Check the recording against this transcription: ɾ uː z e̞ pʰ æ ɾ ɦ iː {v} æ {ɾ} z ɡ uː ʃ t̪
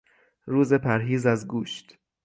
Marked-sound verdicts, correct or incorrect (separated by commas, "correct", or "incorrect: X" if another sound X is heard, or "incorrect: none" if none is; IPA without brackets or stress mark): incorrect: z, incorrect: none